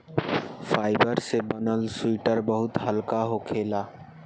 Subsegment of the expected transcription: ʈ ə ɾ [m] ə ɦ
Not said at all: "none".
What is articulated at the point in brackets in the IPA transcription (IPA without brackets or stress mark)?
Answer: b